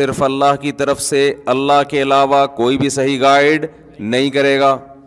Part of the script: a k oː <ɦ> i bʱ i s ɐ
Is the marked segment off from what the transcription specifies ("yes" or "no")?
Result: yes